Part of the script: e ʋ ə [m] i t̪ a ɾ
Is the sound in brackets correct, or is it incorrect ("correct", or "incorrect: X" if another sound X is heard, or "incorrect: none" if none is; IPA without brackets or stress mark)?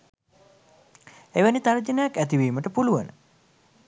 incorrect: n